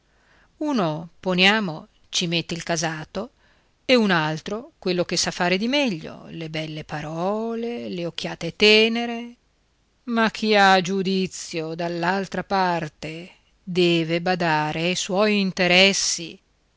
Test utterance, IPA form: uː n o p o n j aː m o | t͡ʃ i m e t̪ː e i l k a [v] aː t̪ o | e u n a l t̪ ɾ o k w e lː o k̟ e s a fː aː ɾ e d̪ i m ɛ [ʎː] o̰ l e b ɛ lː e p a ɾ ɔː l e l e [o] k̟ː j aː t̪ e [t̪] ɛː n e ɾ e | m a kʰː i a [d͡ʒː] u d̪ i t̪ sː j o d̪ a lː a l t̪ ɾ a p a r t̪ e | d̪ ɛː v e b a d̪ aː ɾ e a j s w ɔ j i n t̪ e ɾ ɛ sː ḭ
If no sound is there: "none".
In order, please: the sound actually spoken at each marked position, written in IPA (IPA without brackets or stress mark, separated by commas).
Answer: z, ʎː, o, t̪, d͡ʒ